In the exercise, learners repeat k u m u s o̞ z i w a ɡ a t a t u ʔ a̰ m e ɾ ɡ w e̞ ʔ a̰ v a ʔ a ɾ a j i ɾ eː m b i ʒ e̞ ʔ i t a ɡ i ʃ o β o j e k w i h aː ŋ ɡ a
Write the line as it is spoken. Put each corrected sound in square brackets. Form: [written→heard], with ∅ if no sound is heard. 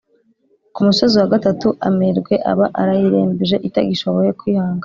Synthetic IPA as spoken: k u m u s o̞ z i w a ɡ a t a t u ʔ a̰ m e ɾ ɡ w e̞ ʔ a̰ [v→β] a ʔ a ɾ a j i ɾ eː m b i ʒ e̞ ʔ i t a ɡ i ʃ o β o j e k w i h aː ŋ ɡ a